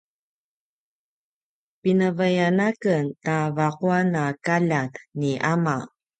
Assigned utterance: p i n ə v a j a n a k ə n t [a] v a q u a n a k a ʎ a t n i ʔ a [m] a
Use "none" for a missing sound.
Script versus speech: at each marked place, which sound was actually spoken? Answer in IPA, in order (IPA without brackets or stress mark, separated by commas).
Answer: a, m